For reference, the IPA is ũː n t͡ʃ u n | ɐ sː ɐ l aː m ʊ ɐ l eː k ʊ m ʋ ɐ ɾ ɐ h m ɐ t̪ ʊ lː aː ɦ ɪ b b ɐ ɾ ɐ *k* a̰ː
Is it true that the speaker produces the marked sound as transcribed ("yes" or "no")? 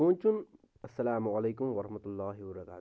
yes